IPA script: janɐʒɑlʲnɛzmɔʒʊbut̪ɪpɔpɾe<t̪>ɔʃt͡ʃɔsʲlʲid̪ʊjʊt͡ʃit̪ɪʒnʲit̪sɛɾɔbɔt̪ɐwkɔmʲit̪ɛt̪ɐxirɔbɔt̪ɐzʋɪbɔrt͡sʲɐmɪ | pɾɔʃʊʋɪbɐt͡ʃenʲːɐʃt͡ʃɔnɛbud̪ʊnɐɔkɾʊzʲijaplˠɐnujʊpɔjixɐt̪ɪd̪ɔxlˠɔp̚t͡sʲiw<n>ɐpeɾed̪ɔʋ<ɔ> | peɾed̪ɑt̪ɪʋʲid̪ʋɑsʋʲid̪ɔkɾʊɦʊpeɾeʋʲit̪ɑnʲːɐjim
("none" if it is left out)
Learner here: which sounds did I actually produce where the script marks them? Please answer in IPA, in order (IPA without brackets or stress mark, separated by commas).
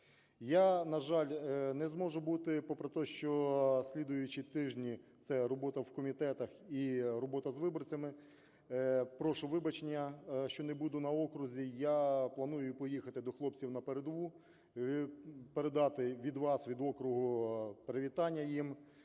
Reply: t̪, n, u